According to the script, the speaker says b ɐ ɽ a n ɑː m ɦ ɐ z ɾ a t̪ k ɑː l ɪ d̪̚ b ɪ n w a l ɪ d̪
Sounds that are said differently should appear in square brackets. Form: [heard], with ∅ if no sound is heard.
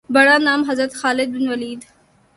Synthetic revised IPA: b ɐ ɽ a n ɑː m ɦ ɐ z ɾ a t̪ [x] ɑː l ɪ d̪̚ b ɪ n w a l [i] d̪